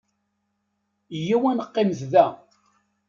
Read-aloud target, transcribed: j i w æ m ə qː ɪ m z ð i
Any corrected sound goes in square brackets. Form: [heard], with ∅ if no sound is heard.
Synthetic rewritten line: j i w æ [n] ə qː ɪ m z ð [æ]